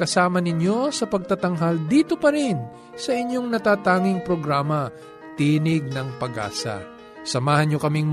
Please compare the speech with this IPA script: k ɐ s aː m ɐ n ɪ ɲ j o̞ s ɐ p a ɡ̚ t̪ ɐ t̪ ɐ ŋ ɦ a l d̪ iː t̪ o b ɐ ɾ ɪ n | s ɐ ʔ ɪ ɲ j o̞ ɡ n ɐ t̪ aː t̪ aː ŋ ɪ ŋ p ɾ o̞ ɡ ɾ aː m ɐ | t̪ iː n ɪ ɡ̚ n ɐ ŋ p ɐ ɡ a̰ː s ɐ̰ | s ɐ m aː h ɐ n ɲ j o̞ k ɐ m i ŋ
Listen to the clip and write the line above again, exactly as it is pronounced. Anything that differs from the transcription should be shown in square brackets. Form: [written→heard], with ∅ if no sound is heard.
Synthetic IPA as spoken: k ɐ s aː m ɐ n ɪ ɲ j o̞ s ɐ p [a→ɐ] ɡ̚ t̪ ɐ t̪ ɐ ŋ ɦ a l d̪ iː t̪ o [b→p] ɐ ɾ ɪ n | s ɐ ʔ ɪ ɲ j o̞ [ɡ→ŋ] n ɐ t̪ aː t̪ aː ŋ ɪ ŋ p ɾ o̞ ɡ ɾ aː m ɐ | t̪ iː n ɪ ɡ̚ n ɐ ŋ p ɐ ɡ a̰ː s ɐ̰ | s ɐ m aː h ɐ n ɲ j o̞ k ɐ m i ŋ